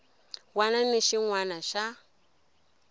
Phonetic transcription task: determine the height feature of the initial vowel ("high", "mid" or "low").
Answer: low